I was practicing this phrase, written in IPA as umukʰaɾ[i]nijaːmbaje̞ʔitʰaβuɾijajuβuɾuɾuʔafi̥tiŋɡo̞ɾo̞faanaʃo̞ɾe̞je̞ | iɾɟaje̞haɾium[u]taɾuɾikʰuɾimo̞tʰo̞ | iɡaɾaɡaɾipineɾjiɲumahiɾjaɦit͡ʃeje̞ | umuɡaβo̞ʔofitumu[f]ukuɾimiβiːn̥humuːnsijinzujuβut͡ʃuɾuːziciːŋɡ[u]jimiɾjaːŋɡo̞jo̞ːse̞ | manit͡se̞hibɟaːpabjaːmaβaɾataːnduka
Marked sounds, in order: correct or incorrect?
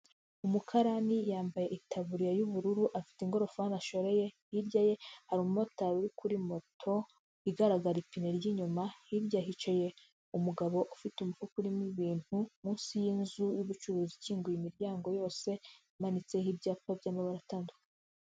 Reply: incorrect: a, incorrect: o, correct, correct

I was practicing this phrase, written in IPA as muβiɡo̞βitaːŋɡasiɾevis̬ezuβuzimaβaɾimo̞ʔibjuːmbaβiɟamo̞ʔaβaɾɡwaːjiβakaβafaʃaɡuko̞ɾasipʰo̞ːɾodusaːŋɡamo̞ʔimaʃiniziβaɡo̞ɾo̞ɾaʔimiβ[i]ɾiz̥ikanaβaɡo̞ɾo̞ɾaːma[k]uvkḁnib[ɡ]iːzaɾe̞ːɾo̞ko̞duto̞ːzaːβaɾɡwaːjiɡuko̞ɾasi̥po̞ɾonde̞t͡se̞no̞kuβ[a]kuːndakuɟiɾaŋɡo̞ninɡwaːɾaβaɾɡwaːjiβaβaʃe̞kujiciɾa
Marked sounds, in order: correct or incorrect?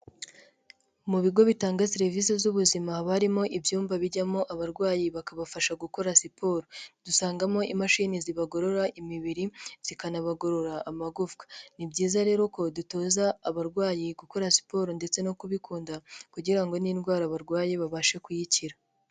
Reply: correct, incorrect: ɡ, incorrect: ɟ, incorrect: i

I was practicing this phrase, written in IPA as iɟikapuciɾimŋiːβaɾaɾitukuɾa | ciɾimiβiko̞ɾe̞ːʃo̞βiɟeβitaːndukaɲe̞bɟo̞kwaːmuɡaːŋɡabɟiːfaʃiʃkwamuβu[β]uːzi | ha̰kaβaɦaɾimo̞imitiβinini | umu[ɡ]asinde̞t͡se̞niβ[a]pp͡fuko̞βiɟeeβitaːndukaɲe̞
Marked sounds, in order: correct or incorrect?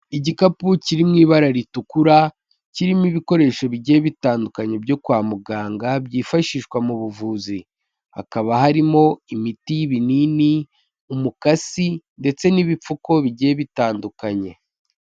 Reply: incorrect: v, incorrect: k, incorrect: i

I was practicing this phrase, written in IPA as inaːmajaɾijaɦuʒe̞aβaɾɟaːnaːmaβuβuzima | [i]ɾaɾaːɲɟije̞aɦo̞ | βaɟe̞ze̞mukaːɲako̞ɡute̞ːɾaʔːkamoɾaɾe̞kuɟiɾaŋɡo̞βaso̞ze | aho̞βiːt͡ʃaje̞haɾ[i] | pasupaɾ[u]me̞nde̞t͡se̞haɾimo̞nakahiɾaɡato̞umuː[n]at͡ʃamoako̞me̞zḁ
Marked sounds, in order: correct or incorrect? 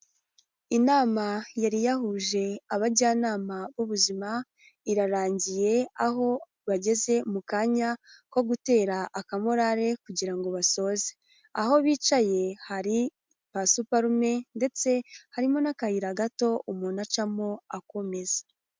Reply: correct, correct, correct, correct

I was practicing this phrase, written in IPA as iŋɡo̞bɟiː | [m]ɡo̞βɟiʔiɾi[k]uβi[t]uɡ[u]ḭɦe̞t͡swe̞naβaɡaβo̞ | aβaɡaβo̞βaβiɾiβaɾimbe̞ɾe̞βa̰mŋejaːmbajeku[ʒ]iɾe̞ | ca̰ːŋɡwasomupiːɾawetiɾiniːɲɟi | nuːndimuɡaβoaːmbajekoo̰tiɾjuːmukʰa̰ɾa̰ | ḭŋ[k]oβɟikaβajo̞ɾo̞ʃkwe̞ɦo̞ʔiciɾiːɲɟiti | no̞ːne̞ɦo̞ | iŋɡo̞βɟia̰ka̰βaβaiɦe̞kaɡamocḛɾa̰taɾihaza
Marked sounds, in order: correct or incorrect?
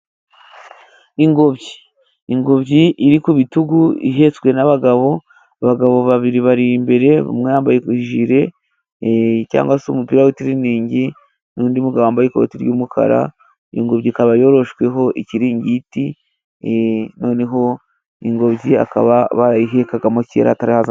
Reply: incorrect: ŋ, correct, correct, correct, correct, incorrect: ɡ

